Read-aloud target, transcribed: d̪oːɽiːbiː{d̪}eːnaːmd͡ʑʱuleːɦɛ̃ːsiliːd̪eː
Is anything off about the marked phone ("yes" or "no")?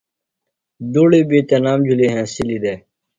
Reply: yes